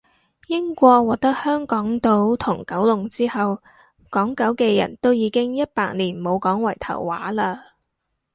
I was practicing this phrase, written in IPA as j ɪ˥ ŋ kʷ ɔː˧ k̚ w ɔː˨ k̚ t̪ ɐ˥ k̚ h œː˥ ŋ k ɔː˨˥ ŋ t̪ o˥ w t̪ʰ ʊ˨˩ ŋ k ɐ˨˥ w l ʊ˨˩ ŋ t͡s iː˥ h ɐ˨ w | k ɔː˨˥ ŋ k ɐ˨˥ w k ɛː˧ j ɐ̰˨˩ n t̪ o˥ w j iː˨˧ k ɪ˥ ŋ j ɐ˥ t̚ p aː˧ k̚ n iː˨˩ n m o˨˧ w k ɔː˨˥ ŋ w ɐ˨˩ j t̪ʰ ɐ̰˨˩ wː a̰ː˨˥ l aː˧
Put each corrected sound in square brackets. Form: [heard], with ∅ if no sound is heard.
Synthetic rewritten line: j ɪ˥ ŋ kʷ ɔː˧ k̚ w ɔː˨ k̚ t̪ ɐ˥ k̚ h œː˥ ŋ k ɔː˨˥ ŋ t̪ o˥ w t̪ʰ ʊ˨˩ ŋ k ɐ˨˥ w l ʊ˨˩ ŋ t͡s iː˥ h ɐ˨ w | k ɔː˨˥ ŋ k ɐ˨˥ w k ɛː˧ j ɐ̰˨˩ n t̪ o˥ w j iː˨˧ k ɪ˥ ŋ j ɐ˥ t̚ p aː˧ k̚ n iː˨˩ n m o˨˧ w k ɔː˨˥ ŋ w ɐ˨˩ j t̪ʰ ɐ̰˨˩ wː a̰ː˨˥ l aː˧

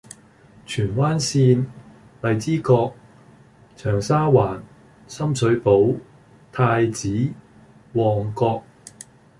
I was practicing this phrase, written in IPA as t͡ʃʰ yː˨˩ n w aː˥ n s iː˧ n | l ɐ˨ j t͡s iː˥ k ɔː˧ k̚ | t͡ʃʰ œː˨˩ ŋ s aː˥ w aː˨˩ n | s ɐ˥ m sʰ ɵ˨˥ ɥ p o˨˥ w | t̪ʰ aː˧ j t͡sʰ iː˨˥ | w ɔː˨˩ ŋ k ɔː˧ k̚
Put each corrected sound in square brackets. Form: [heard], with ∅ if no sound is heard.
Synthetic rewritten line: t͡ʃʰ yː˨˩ n w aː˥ n s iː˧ n | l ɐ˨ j t͡s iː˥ k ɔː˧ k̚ | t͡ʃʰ œː˨˩ ŋ s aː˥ w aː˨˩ n | s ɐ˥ m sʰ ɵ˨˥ ɥ p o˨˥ w | t̪ʰ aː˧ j [t͡s] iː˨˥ | w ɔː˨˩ ŋ k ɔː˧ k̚

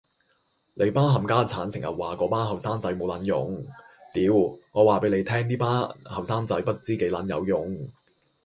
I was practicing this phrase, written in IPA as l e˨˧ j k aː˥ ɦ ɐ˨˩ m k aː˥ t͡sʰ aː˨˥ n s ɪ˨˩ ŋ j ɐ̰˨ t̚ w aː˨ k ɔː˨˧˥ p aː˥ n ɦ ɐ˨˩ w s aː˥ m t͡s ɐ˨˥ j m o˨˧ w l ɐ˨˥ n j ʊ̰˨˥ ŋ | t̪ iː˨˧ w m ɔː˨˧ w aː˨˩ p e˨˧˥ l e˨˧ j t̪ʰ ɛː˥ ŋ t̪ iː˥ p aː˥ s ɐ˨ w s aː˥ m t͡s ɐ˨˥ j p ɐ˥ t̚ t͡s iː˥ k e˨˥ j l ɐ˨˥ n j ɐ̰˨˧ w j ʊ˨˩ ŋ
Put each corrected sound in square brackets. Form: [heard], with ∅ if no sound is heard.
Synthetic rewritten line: l e˨˧ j [p] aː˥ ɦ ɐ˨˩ m k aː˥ t͡sʰ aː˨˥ n s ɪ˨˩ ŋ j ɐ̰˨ t̚ w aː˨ k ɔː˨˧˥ p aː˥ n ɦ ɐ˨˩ w s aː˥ m t͡s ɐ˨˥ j m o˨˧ w l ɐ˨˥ n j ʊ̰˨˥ ŋ | t̪ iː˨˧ w [ŋ] ɔː˨˧ w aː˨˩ p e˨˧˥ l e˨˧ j t̪ʰ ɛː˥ ŋ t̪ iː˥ p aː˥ [h] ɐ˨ w s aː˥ m t͡s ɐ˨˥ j p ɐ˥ t̚ t͡s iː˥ k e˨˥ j l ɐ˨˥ n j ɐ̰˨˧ w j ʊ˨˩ ŋ

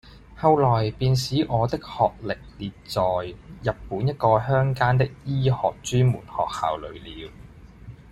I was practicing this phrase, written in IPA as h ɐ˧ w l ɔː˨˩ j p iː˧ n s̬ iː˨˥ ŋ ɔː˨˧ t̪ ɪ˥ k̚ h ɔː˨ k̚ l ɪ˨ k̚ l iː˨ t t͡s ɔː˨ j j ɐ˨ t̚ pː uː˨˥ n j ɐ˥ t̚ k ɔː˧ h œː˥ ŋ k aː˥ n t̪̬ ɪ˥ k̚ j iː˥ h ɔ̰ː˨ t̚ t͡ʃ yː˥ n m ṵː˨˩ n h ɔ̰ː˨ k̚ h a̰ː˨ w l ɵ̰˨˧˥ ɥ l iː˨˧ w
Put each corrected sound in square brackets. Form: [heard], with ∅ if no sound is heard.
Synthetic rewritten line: h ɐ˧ w l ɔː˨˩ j p iː˧ n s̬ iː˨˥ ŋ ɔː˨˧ t̪ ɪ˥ k̚ h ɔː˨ k̚ l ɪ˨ k̚ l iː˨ t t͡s ɔː˨ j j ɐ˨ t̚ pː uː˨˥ n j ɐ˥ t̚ k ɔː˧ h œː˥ ŋ k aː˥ n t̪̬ ɪ˥ k̚ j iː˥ h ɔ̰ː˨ [k̚] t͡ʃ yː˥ n m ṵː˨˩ n h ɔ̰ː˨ k̚ h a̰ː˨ w l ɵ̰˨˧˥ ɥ l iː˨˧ w

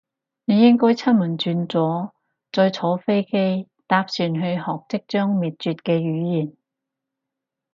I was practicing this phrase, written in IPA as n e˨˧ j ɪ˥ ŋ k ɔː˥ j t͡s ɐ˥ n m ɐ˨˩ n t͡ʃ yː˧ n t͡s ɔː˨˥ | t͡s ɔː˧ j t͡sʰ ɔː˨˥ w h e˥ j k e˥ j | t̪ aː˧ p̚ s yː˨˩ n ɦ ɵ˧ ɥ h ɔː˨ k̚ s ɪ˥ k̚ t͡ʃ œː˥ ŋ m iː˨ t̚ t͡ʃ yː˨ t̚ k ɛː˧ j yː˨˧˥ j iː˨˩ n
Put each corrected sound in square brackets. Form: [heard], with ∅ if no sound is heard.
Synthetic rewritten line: n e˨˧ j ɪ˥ ŋ k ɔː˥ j [t͡sʰ] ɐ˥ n m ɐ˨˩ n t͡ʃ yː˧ n t͡s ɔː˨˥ | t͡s ɔː˧ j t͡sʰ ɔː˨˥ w [f] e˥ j k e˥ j | t̪ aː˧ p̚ s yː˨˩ n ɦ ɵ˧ ɥ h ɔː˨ k̚ [t͡s] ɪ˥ k̚ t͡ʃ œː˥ ŋ m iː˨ t̚ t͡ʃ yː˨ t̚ k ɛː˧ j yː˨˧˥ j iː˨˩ n

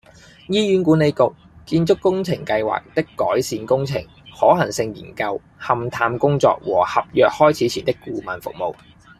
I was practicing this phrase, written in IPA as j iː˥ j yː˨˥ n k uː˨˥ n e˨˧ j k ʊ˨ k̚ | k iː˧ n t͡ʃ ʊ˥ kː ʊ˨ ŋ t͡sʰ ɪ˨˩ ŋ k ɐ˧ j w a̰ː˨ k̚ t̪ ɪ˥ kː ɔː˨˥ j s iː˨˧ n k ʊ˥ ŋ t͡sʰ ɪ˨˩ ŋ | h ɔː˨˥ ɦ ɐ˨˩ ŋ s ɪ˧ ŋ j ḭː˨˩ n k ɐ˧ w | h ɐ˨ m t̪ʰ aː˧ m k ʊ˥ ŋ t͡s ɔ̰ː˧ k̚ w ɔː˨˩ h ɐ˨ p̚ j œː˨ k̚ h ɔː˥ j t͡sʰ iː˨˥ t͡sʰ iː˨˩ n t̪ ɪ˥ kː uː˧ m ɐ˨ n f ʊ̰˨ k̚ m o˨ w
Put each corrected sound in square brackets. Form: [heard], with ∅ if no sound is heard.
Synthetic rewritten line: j iː˥ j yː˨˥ n k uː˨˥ n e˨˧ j k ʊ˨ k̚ | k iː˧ n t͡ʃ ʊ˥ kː [ʊ˥] ŋ t͡sʰ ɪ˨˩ ŋ k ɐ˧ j w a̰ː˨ k̚ t̪ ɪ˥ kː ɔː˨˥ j s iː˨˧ n k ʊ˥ ŋ t͡sʰ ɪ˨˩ ŋ | h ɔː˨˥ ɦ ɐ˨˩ ŋ s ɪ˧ ŋ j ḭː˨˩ n k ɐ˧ w | h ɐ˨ m t̪ʰ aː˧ m k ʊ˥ ŋ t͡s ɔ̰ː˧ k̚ w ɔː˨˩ h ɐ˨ p̚ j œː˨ k̚ h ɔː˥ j t͡sʰ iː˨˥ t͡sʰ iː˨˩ n t̪ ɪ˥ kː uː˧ m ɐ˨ n f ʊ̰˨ k̚ m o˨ w

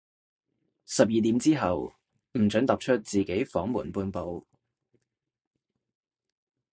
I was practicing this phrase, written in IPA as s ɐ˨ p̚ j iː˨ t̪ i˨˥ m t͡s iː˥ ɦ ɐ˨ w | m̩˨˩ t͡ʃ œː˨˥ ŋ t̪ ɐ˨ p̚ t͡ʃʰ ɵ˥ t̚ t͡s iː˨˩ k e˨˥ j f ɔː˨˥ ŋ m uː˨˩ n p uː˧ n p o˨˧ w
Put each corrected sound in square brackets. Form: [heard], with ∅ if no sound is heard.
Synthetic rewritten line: s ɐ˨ p̚ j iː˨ t̪ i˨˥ m t͡s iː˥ ɦ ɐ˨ w | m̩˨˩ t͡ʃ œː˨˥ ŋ t̪ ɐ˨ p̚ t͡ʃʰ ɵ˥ t̚ t͡s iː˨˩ k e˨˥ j f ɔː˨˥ ŋ m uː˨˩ n p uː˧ n p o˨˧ w

